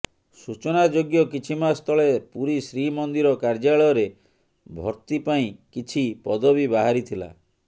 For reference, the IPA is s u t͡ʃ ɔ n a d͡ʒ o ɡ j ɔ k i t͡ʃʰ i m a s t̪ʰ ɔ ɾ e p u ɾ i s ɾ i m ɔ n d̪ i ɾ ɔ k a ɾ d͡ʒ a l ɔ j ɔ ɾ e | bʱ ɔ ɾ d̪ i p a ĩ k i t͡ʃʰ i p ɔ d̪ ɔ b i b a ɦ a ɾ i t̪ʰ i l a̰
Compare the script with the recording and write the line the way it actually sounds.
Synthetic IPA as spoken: s u t͡ʃ ɔ n a d͡ʒ o ɡ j ɔ k i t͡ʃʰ i m a s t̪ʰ ɔ ɭ e p u ɾ i s ɾ i m ɔ n d̪ i ɾ ɔ k a ɾ d͡ʒ a ɭ ɔ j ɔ ɾ e | bʱ ɔ ɾ t̪ i p a ĩ k i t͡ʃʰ i p ɔ d̪ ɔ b i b a ɦ a ɾ i t̪ʰ i l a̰